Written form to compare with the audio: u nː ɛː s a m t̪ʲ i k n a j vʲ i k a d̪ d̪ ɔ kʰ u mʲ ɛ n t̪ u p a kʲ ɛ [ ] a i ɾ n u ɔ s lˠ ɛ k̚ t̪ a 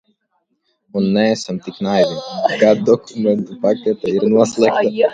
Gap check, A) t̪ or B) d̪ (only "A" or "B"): A